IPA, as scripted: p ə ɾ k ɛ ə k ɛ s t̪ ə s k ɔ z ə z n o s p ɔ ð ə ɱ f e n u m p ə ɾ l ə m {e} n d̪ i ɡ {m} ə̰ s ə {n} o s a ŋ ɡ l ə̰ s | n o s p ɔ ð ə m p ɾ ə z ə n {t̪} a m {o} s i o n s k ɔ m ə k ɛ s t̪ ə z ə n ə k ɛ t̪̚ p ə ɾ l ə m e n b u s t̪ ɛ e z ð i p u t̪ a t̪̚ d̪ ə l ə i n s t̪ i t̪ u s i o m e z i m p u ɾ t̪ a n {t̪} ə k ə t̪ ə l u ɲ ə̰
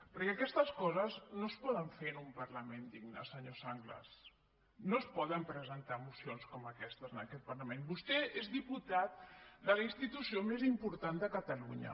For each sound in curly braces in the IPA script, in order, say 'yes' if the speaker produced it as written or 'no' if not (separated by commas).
yes, no, no, yes, no, no